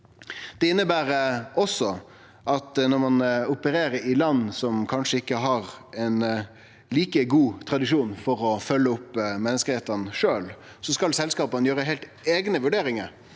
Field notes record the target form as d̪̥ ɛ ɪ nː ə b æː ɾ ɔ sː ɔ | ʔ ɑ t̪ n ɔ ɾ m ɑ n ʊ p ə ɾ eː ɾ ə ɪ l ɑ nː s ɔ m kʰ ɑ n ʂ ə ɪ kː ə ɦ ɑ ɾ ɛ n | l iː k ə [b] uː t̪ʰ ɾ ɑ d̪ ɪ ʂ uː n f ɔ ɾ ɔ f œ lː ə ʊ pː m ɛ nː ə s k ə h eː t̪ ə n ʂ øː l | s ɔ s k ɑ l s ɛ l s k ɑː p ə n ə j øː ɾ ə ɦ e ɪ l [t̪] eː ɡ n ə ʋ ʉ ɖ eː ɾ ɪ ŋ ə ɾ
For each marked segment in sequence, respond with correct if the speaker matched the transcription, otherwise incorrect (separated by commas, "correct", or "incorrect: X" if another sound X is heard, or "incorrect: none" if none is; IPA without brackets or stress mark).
incorrect: ɡ, correct